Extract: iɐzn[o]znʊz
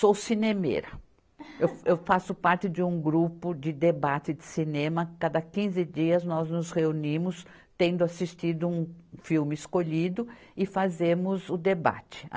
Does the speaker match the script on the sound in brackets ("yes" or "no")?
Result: no